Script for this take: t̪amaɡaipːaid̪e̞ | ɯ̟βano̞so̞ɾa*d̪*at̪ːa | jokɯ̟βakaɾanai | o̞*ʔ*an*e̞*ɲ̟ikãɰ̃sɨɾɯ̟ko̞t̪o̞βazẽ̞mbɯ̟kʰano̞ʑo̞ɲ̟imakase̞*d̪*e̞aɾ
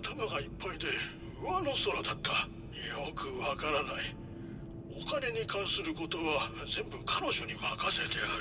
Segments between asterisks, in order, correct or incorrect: correct, incorrect, correct, incorrect

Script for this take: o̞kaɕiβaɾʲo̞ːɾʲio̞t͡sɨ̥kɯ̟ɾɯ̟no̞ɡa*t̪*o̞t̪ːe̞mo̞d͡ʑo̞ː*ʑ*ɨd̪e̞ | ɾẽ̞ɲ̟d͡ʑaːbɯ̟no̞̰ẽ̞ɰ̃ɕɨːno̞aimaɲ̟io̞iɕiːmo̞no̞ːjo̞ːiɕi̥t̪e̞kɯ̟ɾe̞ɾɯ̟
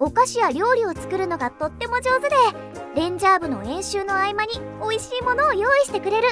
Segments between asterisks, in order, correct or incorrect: correct, incorrect

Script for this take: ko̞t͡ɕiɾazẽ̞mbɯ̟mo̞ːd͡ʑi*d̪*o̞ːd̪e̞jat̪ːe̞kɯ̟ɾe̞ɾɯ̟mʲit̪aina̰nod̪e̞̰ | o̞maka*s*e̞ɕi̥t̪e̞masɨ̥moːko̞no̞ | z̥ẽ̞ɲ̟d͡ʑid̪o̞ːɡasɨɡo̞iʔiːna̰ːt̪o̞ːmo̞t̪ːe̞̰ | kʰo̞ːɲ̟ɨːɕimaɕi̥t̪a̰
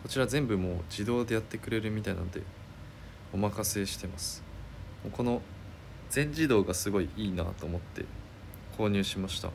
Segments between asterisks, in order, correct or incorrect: correct, correct

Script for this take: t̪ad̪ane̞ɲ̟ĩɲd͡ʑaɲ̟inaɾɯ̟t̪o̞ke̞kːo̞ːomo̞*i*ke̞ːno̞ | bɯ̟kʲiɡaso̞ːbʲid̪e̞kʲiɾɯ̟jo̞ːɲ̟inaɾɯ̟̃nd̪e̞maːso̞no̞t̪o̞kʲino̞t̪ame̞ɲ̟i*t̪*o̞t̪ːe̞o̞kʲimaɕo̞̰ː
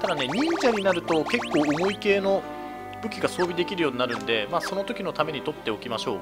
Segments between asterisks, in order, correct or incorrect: correct, correct

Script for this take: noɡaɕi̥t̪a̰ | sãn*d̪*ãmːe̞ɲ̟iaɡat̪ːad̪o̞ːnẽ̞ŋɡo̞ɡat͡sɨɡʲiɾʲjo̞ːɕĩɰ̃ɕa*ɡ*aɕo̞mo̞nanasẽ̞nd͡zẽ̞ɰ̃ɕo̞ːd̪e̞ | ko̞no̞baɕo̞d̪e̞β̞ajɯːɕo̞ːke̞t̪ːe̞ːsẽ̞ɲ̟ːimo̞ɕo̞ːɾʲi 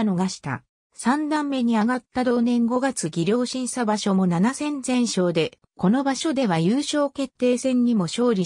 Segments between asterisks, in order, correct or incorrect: correct, incorrect

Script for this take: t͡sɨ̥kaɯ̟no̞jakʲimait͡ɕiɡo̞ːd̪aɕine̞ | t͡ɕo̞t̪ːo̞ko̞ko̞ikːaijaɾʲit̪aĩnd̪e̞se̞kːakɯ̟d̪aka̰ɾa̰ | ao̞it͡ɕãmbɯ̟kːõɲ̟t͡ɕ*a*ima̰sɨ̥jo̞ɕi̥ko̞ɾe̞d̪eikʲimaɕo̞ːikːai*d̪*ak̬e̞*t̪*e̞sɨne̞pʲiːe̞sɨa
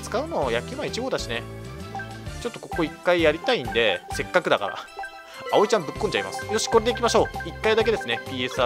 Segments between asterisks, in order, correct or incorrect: correct, correct, incorrect

